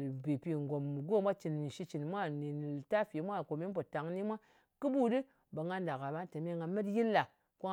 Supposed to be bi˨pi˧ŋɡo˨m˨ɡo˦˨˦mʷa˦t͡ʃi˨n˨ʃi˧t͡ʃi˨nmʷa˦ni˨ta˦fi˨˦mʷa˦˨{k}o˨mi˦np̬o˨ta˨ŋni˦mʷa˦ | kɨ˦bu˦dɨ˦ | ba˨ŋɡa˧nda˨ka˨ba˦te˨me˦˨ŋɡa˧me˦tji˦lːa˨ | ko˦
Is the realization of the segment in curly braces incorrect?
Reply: no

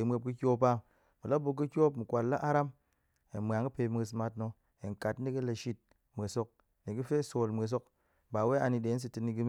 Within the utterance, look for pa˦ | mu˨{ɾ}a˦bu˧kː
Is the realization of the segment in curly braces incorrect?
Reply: yes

